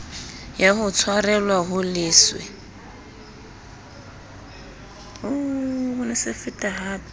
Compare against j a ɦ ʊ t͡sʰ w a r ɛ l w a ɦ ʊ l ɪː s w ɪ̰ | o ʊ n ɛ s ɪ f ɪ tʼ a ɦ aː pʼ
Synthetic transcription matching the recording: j a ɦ ʊ t͡sʰ w a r ɛ l w a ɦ ʊ l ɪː s w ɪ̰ | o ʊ n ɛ s ɪ f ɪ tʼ a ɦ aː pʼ